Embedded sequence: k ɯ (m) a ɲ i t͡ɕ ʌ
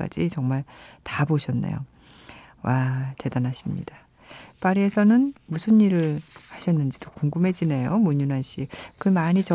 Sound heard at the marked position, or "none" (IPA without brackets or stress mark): m